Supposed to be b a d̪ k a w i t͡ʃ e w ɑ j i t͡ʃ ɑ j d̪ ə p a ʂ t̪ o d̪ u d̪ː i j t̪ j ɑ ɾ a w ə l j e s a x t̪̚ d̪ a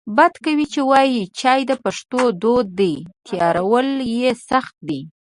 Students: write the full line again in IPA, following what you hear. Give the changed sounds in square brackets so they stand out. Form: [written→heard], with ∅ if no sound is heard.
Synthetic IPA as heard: b a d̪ k a w i t͡ʃ e w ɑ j i t͡ʃ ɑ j d̪ ə p a ʂ t̪ o d̪ [u→o] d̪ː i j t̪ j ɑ ɾ a w ə l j e s a x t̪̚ d̪ [a→i]